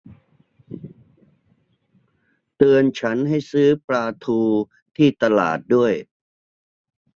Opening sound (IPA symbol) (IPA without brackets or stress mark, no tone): t̪